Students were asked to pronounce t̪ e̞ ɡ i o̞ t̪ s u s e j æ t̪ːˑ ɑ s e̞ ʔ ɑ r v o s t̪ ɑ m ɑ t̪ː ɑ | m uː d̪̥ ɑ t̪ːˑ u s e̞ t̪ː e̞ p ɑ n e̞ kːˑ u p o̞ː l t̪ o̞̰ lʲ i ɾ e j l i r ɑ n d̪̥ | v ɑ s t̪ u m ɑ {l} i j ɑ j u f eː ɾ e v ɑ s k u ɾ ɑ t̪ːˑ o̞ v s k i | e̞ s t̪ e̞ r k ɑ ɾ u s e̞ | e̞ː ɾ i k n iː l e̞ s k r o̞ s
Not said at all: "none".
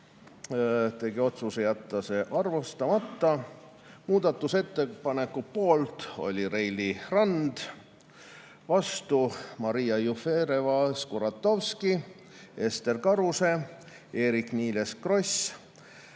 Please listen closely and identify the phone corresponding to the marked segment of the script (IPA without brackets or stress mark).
ɾ